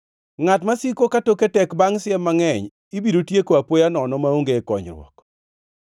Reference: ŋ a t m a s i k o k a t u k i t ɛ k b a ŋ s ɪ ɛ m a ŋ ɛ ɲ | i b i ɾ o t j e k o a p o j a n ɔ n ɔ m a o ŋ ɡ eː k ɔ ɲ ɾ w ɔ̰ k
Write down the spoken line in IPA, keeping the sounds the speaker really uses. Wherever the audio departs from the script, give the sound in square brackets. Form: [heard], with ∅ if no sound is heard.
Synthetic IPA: ŋ a t m a s i k o k a t [o] k [e] t ɛ k b a ŋ s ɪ ɛ m a ŋ ɛ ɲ | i b i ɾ o t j e k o a p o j a n ɔ n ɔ m a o ŋ ɡ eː k ɔ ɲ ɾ w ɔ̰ k